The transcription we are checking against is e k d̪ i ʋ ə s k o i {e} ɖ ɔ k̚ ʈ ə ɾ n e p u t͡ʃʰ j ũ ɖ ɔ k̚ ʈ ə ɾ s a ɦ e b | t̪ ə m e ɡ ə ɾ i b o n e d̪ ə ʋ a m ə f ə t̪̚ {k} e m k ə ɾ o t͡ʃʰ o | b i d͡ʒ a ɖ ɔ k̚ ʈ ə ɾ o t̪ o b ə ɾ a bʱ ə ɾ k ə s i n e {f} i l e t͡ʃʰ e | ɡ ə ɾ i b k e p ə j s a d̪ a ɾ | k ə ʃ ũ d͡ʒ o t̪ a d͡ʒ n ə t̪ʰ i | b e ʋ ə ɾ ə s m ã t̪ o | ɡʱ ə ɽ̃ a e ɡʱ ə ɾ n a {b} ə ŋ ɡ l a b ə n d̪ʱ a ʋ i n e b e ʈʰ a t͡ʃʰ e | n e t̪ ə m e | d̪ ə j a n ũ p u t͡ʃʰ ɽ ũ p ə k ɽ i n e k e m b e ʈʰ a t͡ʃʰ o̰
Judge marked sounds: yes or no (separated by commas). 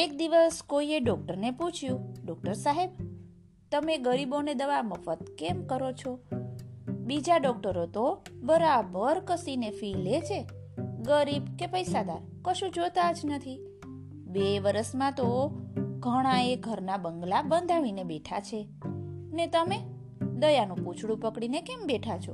yes, yes, yes, yes